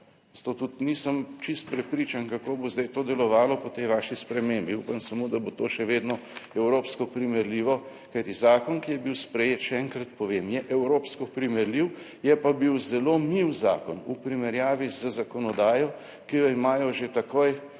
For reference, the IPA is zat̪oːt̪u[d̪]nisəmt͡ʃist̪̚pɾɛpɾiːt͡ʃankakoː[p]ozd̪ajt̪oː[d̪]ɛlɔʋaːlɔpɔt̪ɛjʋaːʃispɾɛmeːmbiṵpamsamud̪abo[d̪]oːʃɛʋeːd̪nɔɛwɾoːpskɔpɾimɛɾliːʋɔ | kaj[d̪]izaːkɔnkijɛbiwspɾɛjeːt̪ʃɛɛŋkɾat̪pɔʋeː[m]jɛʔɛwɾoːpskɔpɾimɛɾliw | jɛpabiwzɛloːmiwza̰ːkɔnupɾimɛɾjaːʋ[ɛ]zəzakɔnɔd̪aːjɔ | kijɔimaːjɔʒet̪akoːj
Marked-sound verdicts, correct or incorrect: incorrect, incorrect, correct, incorrect, incorrect, correct, incorrect

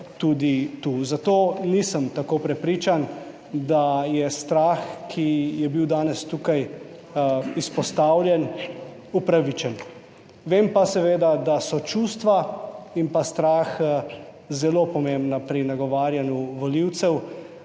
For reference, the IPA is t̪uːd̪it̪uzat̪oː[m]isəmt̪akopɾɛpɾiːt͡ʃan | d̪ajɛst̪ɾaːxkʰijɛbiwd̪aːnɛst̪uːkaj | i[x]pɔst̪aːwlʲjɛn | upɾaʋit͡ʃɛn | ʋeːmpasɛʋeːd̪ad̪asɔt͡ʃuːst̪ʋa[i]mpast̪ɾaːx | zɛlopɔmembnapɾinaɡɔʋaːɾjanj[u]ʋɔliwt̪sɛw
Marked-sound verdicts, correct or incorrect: incorrect, incorrect, correct, correct

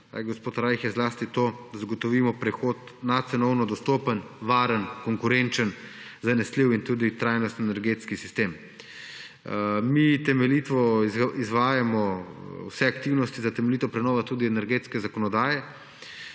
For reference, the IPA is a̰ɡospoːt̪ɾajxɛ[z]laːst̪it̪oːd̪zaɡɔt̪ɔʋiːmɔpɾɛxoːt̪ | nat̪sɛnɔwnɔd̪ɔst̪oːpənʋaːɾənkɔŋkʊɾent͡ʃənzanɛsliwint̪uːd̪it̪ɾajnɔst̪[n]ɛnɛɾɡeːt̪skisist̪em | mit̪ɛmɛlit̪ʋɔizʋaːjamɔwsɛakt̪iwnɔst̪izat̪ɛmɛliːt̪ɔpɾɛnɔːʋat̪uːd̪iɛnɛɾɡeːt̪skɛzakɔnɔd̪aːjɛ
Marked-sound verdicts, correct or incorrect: correct, correct

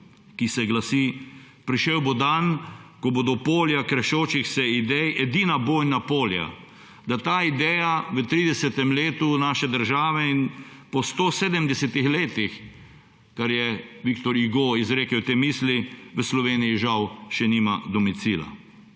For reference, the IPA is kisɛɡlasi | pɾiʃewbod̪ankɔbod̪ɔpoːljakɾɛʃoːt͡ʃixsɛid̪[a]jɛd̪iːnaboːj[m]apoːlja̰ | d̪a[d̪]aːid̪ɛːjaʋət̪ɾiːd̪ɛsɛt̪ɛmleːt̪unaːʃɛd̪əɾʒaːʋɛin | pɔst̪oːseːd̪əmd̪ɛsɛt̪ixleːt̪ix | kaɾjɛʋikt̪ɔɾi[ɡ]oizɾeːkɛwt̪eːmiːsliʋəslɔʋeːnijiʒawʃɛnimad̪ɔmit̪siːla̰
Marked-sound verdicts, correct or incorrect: incorrect, incorrect, incorrect, correct

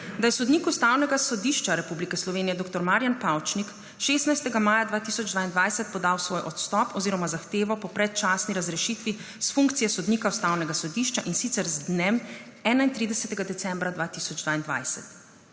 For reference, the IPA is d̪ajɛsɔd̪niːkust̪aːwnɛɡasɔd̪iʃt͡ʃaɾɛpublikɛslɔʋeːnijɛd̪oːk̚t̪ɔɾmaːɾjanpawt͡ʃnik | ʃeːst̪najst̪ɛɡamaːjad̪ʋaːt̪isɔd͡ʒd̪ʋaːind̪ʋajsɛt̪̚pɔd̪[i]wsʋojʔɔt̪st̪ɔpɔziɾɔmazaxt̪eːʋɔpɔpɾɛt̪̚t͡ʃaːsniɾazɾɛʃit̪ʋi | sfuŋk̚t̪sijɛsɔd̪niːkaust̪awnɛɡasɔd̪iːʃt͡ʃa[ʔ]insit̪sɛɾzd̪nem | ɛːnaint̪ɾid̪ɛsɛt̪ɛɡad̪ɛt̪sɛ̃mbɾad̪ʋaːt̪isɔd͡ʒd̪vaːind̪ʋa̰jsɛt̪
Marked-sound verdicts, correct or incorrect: incorrect, correct

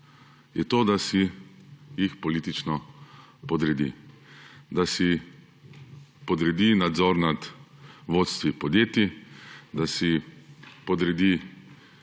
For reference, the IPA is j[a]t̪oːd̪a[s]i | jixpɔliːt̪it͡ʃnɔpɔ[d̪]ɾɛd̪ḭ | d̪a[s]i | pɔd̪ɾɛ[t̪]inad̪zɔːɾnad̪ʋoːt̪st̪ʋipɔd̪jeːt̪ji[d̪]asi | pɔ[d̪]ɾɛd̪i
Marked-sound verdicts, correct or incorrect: incorrect, correct, correct, correct, incorrect, correct, correct

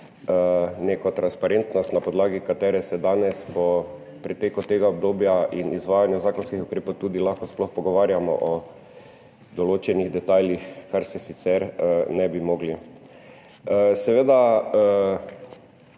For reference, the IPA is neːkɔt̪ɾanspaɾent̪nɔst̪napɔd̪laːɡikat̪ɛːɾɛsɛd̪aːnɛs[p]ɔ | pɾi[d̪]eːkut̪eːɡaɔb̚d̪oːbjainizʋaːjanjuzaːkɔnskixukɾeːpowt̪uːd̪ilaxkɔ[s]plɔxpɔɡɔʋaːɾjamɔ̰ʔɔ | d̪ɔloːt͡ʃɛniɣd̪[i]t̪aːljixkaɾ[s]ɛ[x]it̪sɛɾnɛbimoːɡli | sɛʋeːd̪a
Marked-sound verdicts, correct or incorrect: correct, incorrect, correct, incorrect, correct, incorrect

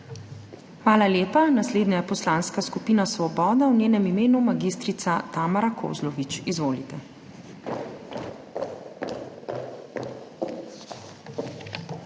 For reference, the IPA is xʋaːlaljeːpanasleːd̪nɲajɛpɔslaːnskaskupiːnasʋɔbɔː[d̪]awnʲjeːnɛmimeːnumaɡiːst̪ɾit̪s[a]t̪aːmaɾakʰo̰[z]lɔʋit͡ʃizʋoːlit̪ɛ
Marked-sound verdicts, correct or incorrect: correct, correct, correct

